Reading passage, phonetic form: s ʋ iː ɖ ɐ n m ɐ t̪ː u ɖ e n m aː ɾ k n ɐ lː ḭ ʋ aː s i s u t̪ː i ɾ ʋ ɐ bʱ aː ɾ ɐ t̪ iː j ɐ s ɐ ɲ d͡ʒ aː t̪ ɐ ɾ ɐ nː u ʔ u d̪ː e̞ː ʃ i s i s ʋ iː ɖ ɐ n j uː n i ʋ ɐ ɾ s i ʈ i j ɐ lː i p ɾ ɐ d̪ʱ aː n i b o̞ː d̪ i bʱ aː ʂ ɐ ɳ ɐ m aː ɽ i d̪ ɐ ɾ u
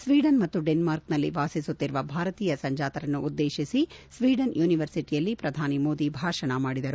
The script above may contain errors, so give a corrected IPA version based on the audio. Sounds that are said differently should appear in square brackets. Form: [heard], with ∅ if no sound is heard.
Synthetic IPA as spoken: s ʋ iː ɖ ɐ n m ɐ t̪ː u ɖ e n m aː ɾ k n ɐ lː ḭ ʋ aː s i s u t̪ː i ɾ ʋ ɐ bʱ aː ɾ ɐ t̪ iː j ɐ s ɐ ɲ d͡ʒ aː t̪ ɐ ɾ ɐ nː u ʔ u d̪ː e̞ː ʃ i s i s ʋ iː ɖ ɐ n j uː n i ʋ ɐ ɾ s i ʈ i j ɐ lː i p ɾ ɐ d̪ʱ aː n i [m] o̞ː d̪ i bʱ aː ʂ ɐ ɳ ɐ m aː ɽ i d̪ ɐ ɾ u

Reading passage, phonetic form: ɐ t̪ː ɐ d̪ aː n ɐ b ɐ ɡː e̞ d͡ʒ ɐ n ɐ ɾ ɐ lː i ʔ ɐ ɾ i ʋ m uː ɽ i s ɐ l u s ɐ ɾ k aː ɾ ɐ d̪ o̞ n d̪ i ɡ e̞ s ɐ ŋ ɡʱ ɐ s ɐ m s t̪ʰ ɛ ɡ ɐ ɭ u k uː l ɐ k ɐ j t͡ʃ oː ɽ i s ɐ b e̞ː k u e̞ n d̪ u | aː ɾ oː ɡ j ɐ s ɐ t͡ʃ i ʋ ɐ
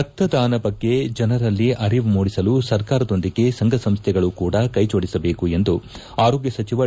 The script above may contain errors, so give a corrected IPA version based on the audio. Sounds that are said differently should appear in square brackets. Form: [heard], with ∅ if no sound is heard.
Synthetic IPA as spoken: ɐ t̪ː ɐ d̪ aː n ɐ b ɐ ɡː e̞ d͡ʒ ɐ n ɐ ɾ ɐ lː i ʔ ɐ ɾ i ʋ m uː ɽ i s ɐ l u s ɐ ɾ k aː ɾ ɐ d̪ o̞ n d̪ i ɡ e̞ s ɐ ŋ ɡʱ ɐ s ɐ m s t̪ʰ ɛ ɡ ɐ ɭ u k uː [ɽ] ɐ k ɐ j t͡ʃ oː ɽ i s ɐ b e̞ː k u e̞ n d̪ u | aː ɾ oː ɡ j ɐ s ɐ t͡ʃ i ʋ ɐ

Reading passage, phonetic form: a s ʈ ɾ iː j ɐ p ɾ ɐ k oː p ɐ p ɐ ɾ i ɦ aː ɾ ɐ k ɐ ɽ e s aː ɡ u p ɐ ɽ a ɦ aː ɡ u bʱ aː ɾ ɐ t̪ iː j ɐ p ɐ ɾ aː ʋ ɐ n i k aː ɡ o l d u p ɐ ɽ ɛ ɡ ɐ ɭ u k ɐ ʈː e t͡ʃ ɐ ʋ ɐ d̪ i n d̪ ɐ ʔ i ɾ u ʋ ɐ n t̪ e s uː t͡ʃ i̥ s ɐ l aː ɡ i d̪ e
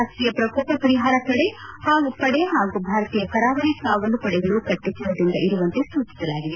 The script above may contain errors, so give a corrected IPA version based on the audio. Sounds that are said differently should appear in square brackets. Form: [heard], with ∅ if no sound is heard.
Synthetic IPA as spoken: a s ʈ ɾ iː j ɐ p ɾ ɐ k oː p ɐ p ɐ ɾ i ɦ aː ɾ ɐ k ɐ ɽ e [h] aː ɡ u p ɐ ɽ [e] ɦ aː ɡ u bʱ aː ɾ ɐ t̪ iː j ɐ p ɐ ɾ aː ʋ ɐ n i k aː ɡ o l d u p ɐ ɽ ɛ ɡ ɐ ɭ u k ɐ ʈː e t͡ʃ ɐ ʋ ɐ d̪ i n d̪ ɐ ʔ i ɾ u ʋ ɐ n t̪ e s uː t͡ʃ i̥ s ɐ l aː ɡ i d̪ e

